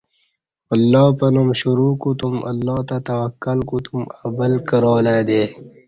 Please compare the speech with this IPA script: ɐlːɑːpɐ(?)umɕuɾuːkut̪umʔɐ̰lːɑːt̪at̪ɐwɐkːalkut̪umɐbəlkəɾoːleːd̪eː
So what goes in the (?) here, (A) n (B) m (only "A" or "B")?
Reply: A